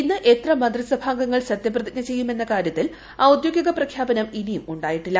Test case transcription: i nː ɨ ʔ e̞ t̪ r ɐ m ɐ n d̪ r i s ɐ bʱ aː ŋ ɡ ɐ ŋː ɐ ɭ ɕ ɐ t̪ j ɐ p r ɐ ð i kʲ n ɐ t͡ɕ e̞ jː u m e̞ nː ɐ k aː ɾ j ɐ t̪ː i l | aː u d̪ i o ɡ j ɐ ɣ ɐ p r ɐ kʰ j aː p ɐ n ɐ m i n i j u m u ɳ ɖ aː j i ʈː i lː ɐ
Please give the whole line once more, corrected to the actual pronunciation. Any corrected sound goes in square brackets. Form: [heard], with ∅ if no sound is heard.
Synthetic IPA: i nː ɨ ʔ e̞ t̪ r ɐ m ɐ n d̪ r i s ɐ bʱ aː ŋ ɡ ɐ ŋː ɐ ɭ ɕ ɐ t̪ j ɐ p r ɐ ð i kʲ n ɐ t͡ɕ e̞ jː u m e̞ nː ɐ k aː ɾ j ɐ t̪ː i l | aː u d̪ [j] o ɡ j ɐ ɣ ɐ p r ɐ kʰ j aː [b] ɐ n ɐ m i n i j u m u ɳ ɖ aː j i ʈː i lː ɐ